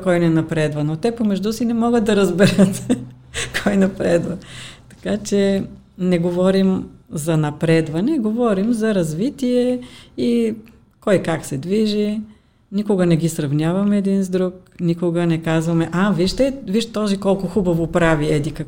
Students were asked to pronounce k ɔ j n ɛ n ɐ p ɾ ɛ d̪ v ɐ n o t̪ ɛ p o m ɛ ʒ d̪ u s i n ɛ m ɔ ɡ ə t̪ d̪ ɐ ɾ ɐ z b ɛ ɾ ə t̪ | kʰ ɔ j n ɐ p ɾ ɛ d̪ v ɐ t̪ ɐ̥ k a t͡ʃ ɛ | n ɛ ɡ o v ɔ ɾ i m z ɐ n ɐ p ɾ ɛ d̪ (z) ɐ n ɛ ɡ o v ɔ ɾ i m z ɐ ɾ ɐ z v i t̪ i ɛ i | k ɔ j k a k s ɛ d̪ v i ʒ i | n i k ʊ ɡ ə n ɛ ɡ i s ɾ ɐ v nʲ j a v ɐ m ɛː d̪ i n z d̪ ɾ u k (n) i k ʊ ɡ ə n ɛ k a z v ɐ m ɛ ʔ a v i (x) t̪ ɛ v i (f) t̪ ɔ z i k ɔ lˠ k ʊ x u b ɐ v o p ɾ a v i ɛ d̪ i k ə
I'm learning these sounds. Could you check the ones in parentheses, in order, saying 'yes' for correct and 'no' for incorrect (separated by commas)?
no, yes, no, no